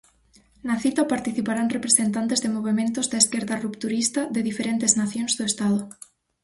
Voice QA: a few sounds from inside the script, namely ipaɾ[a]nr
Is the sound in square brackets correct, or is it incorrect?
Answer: correct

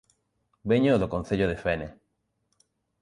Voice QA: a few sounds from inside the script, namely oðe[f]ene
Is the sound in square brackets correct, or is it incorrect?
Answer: correct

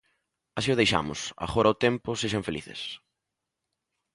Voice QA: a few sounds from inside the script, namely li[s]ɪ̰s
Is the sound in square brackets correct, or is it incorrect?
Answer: incorrect: θ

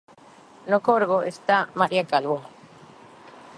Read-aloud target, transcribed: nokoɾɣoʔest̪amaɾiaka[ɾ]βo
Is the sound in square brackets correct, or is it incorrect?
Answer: incorrect: l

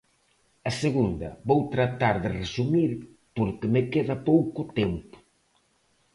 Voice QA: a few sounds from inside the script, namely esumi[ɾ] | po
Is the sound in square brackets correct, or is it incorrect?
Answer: correct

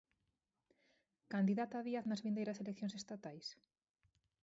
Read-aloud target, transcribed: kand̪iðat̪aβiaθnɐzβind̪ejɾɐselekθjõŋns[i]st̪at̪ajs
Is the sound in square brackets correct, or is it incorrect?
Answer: incorrect: e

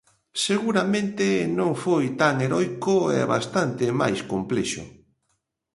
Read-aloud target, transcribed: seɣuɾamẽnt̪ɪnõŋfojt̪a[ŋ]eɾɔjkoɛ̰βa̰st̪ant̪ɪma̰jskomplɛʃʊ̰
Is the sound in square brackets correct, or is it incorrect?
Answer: correct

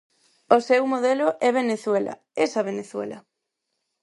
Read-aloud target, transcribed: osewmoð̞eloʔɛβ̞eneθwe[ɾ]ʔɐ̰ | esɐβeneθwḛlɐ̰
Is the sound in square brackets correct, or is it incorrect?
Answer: incorrect: l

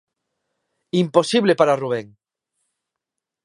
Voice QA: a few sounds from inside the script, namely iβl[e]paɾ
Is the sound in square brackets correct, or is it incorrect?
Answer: correct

